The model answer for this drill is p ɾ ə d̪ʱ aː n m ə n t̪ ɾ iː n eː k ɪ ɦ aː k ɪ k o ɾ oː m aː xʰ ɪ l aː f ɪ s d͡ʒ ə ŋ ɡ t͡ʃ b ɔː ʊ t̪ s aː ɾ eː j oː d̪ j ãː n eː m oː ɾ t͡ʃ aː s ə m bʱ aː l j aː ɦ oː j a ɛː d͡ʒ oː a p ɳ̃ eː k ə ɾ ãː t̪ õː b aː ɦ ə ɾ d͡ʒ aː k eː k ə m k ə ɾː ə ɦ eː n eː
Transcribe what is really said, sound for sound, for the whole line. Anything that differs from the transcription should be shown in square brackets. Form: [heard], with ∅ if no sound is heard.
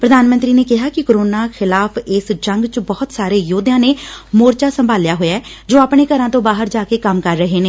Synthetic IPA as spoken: p ɾ ə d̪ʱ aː n m ə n t̪ ɾ iː n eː k ɪ ɦ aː k ɪ k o ɾ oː [n] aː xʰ ɪ l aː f ɪ s d͡ʒ ə ŋ ɡ t͡ʃ b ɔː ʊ t̪ s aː ɾ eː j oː d̪ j ãː n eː m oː ɾ t͡ʃ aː s ə m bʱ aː l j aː ɦ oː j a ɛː d͡ʒ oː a p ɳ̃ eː k ə ɾ ãː t̪ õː b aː ɦ ə ɾ d͡ʒ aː k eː k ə m k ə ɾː ə ɦ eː n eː